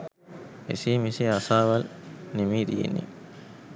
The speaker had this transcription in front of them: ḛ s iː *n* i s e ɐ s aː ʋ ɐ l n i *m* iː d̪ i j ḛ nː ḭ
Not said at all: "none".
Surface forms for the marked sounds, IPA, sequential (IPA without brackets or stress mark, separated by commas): m, m